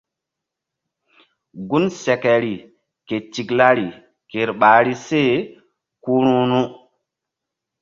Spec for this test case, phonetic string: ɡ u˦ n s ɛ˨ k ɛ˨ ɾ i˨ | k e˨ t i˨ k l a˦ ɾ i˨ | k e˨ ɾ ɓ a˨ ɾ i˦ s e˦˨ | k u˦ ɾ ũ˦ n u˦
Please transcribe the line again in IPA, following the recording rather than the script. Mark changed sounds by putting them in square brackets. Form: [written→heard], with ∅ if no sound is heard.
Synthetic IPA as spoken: ɡ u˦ n s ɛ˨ k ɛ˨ ɾ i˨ | k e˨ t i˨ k l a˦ ɾ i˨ | k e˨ ɾ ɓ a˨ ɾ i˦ s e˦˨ | k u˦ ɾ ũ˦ n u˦